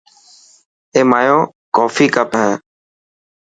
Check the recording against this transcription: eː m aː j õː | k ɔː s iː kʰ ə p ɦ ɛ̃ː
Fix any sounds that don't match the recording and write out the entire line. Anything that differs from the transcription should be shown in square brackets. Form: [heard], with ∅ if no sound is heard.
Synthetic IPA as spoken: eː m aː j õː | k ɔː [f] iː [k] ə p ɦ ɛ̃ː